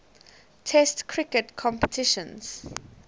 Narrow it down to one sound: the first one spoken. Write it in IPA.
tʰ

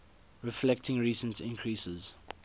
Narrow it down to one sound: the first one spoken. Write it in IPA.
ɹ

